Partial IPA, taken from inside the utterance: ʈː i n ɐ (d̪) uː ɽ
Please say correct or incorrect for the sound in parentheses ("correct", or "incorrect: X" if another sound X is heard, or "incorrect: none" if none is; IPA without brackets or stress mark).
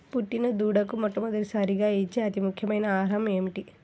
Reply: correct